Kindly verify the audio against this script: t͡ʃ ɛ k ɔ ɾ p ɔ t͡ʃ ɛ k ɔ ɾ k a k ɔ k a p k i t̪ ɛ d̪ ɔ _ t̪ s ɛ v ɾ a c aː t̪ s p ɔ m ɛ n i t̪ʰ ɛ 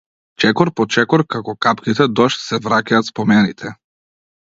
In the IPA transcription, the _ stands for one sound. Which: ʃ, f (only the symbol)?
ʃ